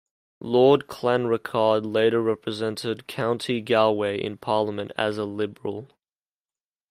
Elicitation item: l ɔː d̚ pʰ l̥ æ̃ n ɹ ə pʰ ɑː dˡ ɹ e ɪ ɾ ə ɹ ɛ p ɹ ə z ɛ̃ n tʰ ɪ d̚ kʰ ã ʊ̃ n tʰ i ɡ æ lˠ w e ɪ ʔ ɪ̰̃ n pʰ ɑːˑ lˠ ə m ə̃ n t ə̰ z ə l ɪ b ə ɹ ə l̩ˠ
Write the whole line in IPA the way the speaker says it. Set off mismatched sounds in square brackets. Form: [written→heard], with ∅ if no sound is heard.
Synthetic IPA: l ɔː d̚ [pʰ→kʰ] l̥ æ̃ n ɹ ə [pʰ→kʰ] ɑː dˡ [ɹ→l] e ɪ ɾ ə ɹ ɛ p ɹ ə z ɛ̃ n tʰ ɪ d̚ kʰ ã ʊ̃ n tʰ i ɡ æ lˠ w e ɪ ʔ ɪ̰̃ n pʰ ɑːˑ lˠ ə m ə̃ n t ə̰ z ə l ɪ b ə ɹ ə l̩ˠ